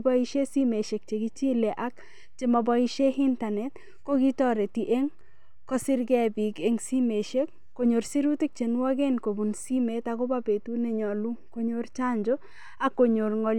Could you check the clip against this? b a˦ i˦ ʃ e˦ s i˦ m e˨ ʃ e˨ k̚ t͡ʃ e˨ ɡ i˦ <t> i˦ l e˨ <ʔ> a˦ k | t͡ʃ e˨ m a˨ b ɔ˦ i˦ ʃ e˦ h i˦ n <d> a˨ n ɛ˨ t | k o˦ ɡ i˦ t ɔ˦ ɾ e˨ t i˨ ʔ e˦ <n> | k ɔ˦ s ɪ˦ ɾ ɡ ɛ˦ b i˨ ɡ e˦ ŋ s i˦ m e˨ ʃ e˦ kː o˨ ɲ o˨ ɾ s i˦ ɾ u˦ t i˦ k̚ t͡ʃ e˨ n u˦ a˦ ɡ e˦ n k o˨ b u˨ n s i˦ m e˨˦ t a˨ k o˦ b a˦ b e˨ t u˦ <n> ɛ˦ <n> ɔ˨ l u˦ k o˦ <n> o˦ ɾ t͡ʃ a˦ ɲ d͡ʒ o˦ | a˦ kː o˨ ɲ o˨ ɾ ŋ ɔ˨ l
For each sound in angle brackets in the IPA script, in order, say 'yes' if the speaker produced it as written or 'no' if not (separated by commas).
no, yes, no, no, yes, no, no